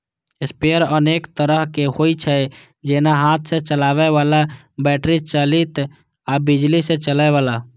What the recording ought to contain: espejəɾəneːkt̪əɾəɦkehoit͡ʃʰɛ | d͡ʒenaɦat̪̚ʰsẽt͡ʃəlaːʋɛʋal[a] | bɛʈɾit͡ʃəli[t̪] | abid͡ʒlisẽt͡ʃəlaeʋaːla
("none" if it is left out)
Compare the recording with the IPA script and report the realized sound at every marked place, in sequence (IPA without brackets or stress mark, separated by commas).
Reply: a, t̪